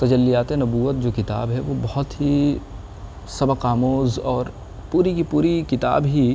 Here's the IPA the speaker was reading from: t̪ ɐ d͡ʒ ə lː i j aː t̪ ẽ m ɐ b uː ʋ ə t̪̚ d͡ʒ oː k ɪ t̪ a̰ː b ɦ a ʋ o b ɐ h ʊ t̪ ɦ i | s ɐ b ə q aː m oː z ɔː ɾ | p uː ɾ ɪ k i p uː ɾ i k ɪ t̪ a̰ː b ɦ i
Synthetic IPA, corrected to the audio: t̪ ɐ d͡ʒ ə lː i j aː t̪ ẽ n ɐ b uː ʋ ə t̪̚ d͡ʒ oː k ɪ t̪ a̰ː b ɦ ɛ ʋ o b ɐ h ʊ t̪ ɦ i | s ɐ b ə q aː m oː z ɔː ɾ | p uː ɾ i k i p uː ɾ i k ɪ t̪ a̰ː b ɦ i